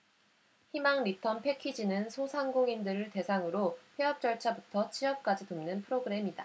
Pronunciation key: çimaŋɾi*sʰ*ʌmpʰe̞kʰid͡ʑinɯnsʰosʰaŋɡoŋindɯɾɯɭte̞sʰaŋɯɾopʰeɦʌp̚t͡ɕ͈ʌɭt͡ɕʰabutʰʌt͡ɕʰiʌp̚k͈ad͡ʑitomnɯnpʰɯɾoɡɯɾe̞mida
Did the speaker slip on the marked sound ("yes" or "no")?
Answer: yes